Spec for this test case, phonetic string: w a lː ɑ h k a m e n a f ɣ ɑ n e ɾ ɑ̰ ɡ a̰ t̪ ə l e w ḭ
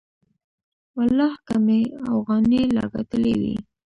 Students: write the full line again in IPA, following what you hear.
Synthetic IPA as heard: w a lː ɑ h k a m e a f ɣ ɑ n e l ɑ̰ ɡ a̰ t̪ ə l e w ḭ